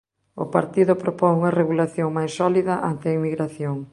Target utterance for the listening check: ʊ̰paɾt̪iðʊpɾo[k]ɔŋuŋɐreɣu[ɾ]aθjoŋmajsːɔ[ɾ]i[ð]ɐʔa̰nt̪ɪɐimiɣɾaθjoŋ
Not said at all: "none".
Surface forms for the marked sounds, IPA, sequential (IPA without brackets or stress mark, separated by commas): p, l, l, ð